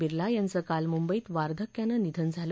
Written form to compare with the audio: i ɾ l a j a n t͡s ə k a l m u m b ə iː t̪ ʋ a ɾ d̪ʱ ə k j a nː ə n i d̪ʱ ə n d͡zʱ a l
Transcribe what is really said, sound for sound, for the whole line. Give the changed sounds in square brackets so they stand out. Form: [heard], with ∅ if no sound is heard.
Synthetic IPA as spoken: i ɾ l a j a n t͡s ə k a l m u m b ə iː t̪ ʋ a ɾ d̪ʱ ə k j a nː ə n i d̪ʱ ə n d͡zʱ a l